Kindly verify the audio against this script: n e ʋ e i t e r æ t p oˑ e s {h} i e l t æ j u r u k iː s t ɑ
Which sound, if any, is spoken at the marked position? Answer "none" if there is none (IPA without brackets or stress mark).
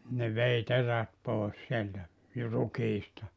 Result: s